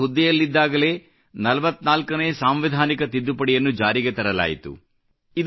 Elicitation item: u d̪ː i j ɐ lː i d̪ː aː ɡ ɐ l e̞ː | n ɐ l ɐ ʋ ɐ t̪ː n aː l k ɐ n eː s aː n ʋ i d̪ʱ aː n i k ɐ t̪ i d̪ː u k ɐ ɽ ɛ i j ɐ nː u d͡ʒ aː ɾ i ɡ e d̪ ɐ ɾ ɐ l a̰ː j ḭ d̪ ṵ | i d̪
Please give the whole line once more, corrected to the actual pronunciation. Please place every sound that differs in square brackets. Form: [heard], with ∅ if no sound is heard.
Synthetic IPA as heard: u d̪ː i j ɐ lː i d̪ː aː ɡ ɐ l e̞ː | n ɐ l ɐ ʋ ɐ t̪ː n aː l k ɐ n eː s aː [m] ʋ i d̪ʱ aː n i k ɐ t̪ i d̪ː u [p] ɐ ɽ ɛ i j ɐ nː u d͡ʒ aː ɾ i ɡ e [t̪] ɐ ɾ ɐ l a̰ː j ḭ [t̪] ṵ | i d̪